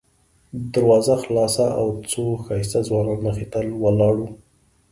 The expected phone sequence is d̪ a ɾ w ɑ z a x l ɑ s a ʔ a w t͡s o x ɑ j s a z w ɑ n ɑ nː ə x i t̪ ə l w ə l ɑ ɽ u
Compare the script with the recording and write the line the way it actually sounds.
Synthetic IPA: d̪ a ɾ w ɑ z a x l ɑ s a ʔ a w t͡s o x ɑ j s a z w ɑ n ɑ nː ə x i t̪ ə l w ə l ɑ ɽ u